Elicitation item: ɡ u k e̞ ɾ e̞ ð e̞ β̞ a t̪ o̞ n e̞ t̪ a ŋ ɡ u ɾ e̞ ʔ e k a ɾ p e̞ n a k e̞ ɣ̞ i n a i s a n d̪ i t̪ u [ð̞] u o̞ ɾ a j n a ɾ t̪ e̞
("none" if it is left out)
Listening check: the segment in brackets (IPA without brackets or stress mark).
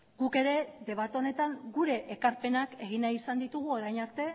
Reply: ɣ̞